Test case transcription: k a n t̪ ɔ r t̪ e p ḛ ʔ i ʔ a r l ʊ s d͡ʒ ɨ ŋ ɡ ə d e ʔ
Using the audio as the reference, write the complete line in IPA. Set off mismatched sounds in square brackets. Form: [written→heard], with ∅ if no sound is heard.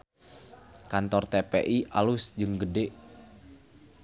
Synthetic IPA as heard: k a n t̪ ɔ r t̪ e p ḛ ʔ i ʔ a [r→∅] l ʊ s d͡ʒ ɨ ŋ ɡ ə d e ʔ